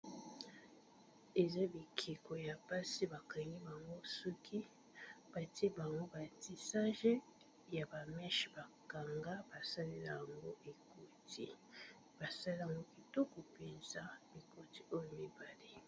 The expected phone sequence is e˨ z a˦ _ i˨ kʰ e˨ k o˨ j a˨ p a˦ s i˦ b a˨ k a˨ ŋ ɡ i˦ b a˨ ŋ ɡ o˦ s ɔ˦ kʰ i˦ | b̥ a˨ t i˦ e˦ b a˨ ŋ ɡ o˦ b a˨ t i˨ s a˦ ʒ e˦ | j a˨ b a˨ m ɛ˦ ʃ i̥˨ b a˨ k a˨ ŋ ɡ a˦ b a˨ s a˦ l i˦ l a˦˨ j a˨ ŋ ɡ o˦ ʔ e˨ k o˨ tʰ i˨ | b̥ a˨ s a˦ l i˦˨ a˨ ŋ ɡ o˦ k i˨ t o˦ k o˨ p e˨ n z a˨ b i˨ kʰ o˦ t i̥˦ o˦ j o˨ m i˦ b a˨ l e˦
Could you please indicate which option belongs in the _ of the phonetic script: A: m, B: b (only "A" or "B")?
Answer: B